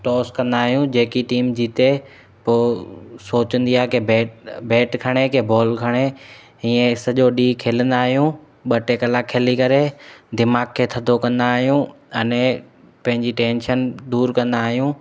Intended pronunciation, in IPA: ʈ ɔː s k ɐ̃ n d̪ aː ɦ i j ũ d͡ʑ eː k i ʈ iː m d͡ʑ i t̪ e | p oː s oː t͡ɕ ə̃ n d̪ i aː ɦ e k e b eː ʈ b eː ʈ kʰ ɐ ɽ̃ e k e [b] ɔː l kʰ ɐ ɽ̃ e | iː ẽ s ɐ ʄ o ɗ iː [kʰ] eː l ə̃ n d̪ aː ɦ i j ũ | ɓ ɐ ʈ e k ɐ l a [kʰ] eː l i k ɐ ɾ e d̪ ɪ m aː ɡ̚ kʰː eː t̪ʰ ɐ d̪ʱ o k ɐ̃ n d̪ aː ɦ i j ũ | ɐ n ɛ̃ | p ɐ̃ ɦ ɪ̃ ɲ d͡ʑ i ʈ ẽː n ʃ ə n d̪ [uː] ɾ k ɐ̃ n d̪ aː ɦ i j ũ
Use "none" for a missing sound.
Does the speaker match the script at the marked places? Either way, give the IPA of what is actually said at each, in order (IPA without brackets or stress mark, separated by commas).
b, kʰ, kʰ, uː